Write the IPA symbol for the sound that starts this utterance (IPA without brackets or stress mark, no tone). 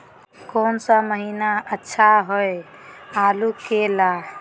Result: k